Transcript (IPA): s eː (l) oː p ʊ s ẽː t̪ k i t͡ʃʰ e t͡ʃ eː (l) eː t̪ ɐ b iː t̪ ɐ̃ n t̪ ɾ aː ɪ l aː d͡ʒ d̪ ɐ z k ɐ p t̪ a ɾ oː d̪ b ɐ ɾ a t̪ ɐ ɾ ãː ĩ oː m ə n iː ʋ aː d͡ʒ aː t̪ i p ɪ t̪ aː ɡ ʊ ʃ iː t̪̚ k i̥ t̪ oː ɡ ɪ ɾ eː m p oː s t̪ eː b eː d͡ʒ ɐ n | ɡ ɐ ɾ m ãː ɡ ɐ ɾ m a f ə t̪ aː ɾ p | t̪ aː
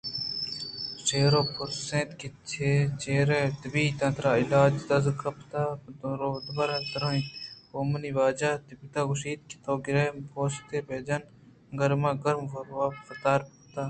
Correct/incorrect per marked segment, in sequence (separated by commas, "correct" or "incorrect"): incorrect, incorrect